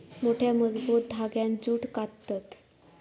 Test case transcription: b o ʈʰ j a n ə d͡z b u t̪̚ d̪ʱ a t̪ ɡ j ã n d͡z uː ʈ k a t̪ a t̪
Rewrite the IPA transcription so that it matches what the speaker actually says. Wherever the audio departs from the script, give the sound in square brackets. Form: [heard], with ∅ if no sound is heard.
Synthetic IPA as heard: [m] o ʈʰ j a [m] ə d͡z b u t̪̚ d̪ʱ a [∅] ɡ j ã n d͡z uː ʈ k a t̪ a t̪